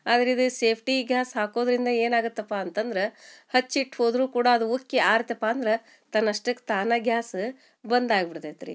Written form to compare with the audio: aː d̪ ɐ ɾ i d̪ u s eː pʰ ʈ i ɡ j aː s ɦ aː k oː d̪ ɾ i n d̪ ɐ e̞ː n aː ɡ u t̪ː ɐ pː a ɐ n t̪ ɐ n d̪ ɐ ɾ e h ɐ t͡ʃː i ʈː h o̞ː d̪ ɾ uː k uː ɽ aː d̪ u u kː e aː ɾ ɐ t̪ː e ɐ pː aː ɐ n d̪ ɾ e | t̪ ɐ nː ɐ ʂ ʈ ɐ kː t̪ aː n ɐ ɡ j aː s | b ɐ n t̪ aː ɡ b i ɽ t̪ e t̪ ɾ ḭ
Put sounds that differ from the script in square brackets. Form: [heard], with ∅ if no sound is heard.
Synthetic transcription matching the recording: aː d̪ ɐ ɾ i d̪ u s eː pʰ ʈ i ɡ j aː s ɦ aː k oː d̪ ɾ i n d̪ ɐ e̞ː n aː ɡ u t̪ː ɐ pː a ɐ n t̪ ɐ n d̪ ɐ ɾ e h ɐ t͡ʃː i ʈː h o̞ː d̪ ɾ uː k uː ɽ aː d̪ u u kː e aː ɾ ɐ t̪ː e ɐ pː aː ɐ n d̪ ɾ e | t̪ ɐ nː ɐ ʂ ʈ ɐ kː t̪ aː n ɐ ɡ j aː s | b ɐ n [d̪] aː ɡ b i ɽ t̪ e t̪ ɾ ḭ